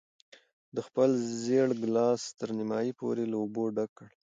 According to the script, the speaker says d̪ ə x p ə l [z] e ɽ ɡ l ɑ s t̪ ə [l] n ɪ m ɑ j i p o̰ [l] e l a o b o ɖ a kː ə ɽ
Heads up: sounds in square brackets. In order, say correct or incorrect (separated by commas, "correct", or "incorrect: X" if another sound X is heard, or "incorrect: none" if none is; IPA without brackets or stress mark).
correct, incorrect: ɾ, incorrect: ɾ